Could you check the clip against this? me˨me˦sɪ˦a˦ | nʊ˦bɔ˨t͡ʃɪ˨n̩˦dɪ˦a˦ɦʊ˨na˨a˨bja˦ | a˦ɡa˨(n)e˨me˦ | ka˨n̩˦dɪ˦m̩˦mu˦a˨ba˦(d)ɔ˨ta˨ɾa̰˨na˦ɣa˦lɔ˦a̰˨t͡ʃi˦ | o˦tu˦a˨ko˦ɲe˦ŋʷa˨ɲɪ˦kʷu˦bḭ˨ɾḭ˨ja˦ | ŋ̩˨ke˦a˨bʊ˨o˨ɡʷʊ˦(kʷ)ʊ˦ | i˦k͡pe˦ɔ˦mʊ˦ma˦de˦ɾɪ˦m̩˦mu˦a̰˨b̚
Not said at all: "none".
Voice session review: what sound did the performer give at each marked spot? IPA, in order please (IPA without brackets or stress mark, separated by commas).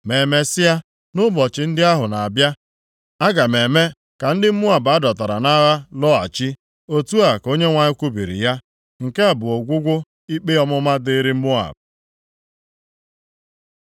m, d, ɡʷ